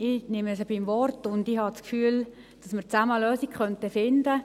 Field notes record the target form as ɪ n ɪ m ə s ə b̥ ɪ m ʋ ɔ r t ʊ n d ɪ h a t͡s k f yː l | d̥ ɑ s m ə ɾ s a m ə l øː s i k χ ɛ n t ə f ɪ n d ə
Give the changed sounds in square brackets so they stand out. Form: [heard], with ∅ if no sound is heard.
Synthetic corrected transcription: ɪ n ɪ m ə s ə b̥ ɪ m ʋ ɔ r t ʊ n d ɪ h [ɑ] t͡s k f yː l | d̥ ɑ s m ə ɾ [t͡s] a m ə l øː s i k χ [œ] n t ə f ɪ n d ə